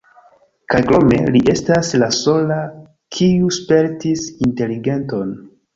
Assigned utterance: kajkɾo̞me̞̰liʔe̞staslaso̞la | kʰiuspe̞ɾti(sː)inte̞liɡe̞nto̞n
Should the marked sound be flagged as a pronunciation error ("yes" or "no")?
yes